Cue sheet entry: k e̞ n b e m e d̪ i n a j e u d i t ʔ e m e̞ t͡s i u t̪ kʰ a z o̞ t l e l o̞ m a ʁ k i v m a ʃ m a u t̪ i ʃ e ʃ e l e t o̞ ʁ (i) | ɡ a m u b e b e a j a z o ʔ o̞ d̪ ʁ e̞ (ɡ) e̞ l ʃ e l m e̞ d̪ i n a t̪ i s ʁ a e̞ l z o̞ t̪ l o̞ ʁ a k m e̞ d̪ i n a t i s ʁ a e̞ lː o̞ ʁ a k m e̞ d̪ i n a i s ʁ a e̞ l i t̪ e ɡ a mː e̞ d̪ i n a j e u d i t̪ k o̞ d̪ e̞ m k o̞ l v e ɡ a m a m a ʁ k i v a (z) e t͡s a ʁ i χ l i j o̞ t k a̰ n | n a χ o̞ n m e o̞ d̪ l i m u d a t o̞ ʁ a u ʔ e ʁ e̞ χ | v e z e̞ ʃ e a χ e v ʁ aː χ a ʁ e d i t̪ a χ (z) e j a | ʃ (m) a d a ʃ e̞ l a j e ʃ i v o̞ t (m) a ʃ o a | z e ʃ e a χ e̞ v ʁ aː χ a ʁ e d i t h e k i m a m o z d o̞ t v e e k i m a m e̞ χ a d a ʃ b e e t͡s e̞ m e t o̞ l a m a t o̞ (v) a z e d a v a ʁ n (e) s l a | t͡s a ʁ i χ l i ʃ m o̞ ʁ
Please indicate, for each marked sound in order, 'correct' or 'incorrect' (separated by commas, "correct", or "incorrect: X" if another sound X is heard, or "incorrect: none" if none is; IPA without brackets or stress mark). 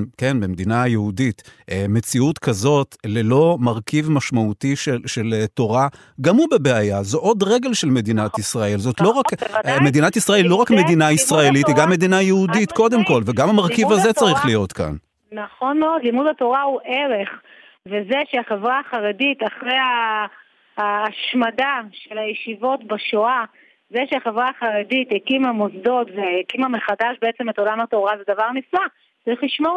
incorrect: a, correct, correct, incorrect: ʁ, correct, incorrect: b, incorrect: ʁ, incorrect: i